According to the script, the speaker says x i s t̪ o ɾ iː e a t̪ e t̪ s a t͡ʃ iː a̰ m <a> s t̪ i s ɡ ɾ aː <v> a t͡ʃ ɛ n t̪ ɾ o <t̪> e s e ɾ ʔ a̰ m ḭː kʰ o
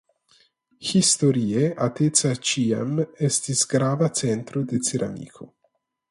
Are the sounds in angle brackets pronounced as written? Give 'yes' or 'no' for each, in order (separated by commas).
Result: no, yes, no